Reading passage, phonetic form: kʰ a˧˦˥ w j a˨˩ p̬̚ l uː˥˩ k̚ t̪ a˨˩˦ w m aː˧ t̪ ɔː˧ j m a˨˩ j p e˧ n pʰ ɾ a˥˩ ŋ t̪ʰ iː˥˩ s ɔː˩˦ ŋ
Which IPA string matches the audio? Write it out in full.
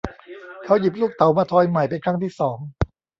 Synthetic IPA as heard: kʰ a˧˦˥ w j i˨˩ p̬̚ l uː˥˩ k̚ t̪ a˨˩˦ w m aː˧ t̪ʰ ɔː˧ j m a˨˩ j p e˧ n kʰ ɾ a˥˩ ŋ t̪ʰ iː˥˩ s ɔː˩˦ ŋ